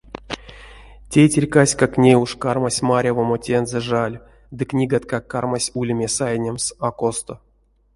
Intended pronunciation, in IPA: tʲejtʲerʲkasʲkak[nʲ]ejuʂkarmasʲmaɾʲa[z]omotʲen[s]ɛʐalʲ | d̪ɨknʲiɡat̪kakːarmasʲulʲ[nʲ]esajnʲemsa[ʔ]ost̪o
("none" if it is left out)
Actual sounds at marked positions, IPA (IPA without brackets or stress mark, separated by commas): nʲ, v, z, mʲ, k